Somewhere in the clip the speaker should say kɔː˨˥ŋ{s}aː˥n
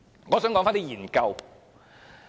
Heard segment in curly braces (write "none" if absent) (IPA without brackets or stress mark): f